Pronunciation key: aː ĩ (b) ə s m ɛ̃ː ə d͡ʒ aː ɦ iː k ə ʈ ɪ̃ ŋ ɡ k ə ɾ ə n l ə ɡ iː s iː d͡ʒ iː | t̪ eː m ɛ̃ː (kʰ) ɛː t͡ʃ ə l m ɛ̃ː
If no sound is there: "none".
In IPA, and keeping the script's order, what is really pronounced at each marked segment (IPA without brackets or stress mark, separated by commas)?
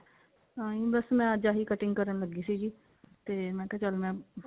b, k